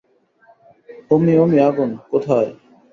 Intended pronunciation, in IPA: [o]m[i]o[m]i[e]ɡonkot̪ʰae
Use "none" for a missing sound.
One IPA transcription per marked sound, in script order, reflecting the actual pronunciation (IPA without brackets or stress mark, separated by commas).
o, i, m, a